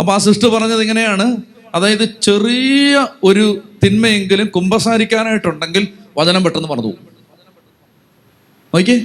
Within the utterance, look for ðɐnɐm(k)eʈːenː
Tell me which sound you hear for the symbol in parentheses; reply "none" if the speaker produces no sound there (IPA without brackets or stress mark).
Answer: p